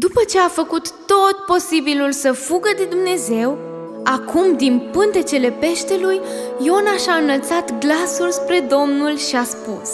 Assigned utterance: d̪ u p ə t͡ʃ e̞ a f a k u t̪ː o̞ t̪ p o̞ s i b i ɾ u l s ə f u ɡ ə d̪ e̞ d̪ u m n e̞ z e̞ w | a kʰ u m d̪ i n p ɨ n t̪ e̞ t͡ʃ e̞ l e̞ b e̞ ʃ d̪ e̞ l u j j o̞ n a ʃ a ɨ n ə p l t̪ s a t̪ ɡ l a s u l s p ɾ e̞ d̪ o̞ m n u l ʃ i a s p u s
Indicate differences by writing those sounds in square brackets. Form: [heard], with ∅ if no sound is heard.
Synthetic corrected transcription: d̪ u p ə t͡ʃ e̞ a f [ə] k u t̪ː o̞ t̪ p o̞ s i b i [l] u l s ə f u ɡ ə d̪ e̞ d̪ u m n e̞ z e̞ w | a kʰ u m d̪ i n p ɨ n t̪ e̞ t͡ʃ e̞ l e̞ [p] e̞ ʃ [t̪] e̞ l u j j o̞ n a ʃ a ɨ n ə [∅] l t̪ s a t̪ ɡ l a s u l s p ɾ e̞ d̪ o̞ m n u l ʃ i a s p u s